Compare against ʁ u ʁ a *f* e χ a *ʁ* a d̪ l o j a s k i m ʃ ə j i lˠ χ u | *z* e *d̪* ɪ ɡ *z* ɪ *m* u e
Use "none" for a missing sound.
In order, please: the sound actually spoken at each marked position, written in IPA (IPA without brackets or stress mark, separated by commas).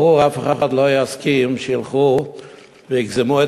f, χ, v, none, z, m